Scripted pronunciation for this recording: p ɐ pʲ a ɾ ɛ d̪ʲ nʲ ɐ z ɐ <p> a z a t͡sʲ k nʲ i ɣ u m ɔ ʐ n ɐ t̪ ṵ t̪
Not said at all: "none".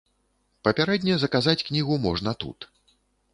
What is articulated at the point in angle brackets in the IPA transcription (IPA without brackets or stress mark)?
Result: k